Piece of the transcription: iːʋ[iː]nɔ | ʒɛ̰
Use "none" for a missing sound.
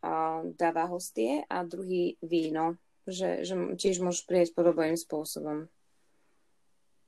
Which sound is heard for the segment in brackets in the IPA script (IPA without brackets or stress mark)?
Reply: iː